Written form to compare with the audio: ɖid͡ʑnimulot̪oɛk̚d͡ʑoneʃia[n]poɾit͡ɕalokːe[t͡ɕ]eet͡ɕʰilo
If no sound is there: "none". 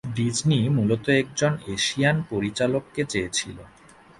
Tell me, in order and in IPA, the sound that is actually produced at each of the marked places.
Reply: n, t͡ɕ

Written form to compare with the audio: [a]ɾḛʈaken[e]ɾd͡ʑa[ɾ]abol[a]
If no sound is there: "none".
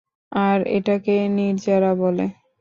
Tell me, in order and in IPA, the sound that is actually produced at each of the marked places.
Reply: a, i, ɾ, e

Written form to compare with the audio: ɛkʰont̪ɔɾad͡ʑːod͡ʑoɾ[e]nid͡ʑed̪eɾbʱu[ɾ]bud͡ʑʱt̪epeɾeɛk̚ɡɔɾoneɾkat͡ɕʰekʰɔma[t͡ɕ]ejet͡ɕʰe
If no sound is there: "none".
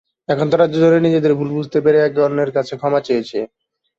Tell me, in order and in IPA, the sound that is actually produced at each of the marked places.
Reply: e, l, t͡ɕ

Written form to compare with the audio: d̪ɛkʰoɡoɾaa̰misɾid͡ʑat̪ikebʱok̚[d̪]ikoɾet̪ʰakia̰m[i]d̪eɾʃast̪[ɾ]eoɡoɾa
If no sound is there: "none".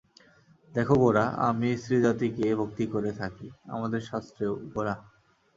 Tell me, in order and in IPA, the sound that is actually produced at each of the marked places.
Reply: t̪, a, ɾ

